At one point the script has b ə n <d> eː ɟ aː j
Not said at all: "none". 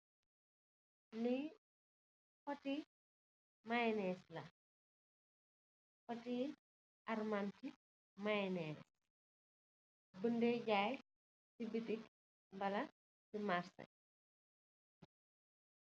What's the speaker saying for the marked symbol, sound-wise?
d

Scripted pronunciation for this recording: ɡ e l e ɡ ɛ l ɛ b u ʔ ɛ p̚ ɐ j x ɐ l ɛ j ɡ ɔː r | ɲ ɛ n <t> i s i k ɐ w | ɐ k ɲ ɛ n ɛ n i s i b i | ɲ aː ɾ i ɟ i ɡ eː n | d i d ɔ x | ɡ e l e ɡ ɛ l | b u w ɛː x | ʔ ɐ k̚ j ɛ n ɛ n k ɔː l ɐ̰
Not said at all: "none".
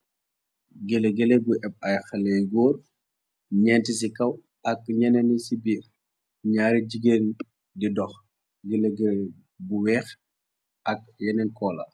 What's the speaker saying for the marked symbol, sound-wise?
t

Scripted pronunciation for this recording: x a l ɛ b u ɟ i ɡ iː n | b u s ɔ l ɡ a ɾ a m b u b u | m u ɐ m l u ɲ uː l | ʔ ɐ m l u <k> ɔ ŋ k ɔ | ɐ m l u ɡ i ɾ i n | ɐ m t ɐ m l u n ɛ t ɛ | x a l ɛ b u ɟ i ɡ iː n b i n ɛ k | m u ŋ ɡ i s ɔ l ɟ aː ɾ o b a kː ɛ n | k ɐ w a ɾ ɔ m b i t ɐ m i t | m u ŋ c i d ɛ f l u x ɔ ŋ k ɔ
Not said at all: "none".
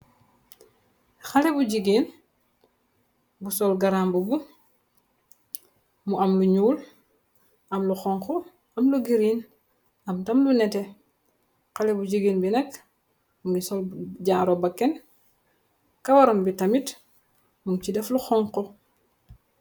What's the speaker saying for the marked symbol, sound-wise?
x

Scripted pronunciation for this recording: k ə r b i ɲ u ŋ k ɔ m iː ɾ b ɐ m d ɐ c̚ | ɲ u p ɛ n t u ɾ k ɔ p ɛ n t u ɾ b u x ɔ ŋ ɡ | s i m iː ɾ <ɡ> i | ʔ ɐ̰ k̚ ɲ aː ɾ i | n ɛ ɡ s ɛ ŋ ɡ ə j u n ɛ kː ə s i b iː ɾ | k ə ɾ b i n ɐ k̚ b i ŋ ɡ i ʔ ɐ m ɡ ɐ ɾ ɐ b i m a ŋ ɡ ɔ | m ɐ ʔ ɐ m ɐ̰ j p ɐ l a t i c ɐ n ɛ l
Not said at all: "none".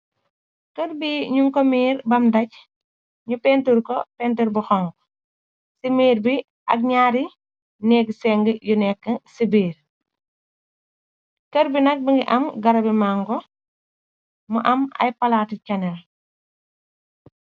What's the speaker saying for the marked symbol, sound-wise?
b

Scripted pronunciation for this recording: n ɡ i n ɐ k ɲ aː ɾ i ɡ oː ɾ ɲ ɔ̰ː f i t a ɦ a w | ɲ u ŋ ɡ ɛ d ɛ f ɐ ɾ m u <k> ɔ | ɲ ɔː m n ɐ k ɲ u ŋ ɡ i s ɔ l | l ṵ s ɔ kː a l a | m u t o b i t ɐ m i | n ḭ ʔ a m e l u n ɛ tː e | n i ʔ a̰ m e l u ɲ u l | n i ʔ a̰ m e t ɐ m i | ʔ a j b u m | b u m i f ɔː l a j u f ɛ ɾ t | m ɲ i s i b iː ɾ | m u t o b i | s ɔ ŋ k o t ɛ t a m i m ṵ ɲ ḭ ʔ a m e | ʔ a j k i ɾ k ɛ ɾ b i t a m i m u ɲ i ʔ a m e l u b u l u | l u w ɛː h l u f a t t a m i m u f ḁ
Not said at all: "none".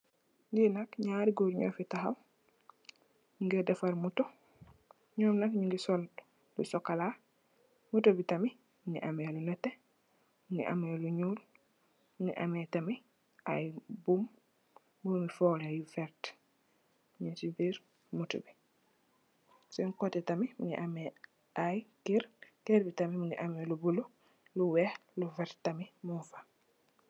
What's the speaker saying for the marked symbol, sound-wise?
t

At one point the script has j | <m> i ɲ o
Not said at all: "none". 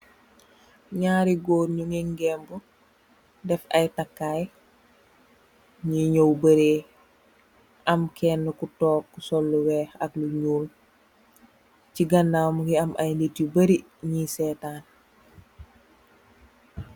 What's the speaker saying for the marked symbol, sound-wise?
ɲ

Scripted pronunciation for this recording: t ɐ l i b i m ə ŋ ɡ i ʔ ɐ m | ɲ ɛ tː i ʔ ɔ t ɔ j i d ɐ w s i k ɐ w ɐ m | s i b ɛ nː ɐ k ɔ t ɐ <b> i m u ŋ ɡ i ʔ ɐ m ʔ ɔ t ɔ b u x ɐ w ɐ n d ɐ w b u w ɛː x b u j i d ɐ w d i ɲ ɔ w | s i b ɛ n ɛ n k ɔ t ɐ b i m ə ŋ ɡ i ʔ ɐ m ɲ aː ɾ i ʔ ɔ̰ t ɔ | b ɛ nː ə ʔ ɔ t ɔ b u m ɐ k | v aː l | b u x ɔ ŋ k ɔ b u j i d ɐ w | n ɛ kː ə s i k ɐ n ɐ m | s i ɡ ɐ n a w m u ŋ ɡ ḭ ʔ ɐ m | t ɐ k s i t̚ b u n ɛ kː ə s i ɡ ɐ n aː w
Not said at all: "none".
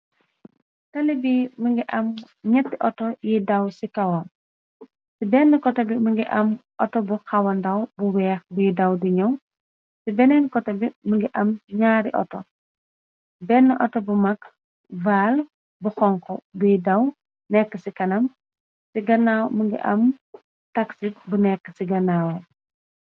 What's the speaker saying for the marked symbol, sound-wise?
b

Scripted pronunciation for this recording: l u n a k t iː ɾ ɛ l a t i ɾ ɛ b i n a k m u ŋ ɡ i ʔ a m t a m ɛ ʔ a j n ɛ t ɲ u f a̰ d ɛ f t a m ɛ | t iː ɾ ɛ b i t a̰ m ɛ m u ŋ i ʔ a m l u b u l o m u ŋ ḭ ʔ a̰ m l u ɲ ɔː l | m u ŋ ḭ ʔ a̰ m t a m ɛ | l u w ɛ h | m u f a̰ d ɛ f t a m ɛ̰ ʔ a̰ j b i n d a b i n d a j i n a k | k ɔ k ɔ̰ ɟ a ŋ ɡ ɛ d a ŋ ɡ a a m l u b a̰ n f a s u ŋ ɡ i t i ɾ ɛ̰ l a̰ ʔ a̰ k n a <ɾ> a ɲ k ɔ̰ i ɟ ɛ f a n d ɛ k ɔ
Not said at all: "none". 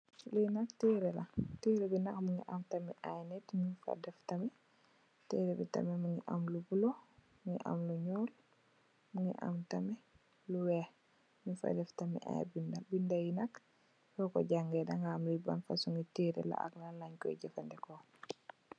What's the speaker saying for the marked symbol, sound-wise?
l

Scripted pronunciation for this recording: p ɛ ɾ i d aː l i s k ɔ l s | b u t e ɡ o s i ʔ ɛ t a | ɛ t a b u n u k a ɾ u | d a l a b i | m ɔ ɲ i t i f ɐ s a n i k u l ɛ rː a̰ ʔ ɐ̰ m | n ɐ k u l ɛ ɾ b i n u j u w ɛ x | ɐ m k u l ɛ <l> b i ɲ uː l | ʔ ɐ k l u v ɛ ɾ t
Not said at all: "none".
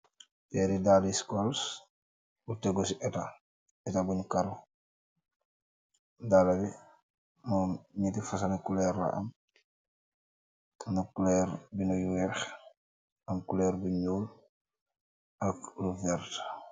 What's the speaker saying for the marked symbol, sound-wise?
ɾ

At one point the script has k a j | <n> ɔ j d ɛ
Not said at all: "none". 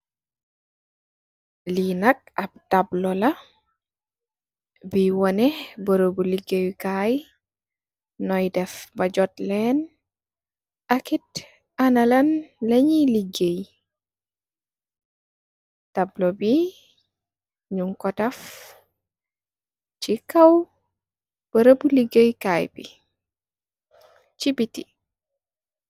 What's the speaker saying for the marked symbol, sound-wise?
n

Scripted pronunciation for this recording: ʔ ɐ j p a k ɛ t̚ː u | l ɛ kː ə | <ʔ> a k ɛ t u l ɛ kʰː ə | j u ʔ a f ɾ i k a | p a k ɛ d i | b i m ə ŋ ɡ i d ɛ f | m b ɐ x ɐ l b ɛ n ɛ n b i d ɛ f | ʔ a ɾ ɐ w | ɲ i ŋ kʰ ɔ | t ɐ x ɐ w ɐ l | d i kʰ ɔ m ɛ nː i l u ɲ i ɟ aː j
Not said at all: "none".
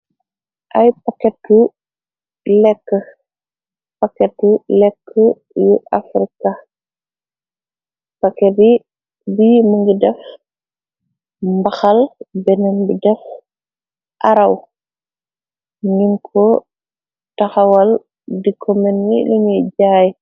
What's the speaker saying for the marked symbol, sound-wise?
p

